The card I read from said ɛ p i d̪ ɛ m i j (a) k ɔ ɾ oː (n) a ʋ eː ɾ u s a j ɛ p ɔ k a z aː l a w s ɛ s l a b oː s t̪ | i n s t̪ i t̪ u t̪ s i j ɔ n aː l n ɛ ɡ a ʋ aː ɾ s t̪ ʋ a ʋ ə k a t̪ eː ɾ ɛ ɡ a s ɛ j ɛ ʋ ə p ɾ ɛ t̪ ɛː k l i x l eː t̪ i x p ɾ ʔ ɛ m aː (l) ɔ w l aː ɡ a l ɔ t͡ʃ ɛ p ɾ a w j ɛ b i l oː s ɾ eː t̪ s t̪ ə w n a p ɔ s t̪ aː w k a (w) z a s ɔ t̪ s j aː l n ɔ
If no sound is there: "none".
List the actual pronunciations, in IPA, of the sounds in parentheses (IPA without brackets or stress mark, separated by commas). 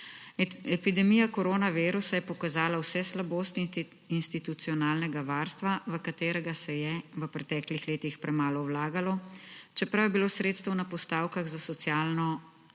a, n, l, ɣ